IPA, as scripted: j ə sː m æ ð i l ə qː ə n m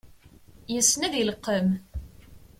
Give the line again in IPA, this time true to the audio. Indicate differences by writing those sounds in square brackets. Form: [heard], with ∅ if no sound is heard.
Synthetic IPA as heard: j ə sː [n] æ ð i l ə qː ə [∅] m